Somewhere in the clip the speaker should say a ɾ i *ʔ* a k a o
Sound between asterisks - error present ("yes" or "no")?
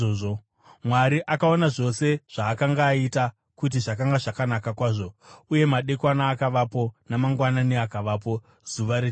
no